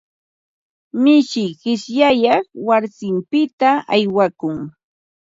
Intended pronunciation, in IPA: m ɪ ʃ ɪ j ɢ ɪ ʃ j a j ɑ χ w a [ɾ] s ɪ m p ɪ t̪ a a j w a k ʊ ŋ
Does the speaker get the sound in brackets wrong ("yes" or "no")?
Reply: no